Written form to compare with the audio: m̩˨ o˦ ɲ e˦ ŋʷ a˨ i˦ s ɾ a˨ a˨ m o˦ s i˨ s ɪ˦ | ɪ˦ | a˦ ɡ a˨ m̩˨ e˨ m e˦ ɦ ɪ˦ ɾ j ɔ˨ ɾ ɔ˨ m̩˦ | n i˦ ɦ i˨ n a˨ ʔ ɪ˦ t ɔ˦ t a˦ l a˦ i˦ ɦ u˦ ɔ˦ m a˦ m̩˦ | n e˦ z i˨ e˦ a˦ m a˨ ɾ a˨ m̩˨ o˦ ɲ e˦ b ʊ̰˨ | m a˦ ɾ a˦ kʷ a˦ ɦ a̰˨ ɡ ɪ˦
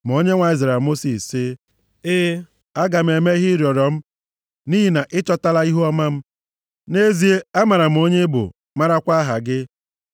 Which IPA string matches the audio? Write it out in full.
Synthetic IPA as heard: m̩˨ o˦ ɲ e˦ ŋʷ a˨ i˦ z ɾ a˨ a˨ m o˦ s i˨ s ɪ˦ | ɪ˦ | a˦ ɡ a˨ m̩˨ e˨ m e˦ ɦ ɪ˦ ɾ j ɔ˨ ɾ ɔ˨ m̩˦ | n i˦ ɦ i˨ n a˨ ʔ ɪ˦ t͡ʃ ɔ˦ t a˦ l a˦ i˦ ɦ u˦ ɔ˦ m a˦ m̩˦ | n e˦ z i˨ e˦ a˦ m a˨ ɾ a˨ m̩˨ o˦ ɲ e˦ b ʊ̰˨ | m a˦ ɾ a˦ kʷ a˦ ɦ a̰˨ ɡ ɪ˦